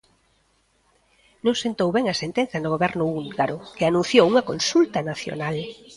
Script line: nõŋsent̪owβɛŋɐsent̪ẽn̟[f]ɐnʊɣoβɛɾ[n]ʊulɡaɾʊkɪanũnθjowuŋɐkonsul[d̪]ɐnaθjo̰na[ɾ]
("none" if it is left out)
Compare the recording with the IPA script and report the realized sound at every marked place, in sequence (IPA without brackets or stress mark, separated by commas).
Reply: θ, n, t̪, l